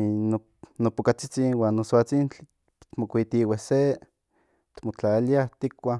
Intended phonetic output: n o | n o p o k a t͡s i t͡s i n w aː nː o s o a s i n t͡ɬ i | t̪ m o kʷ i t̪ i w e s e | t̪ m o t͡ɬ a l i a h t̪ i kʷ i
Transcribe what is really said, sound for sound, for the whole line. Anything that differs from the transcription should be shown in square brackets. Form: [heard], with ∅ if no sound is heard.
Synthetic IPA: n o | n o p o k a t͡s i t͡s i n w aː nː o s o a [t͡s] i n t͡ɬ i | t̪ m o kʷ i t̪ i w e s e | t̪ m o t͡ɬ a l i a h t̪ i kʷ [a]